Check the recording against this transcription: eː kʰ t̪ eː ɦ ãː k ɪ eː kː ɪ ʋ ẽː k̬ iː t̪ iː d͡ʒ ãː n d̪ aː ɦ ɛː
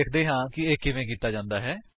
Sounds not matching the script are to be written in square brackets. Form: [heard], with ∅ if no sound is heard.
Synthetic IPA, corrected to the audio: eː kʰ [d̪] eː ɦ ãː k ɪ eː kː ɪ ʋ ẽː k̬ iː t̪ [aː] d͡ʒ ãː n d̪ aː ɦ ɛː